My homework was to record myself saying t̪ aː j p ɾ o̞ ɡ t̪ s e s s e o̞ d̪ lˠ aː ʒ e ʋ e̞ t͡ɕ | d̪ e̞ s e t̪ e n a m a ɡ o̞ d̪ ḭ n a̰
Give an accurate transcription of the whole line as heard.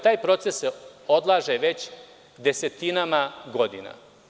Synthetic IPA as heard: t̪ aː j p ɾ o̞ t̪ s e s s e o̞ d̪ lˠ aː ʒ e ʋ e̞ t͡ɕ | d̪ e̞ s e t̪ i n a m a ɡ o̞ d̪ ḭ n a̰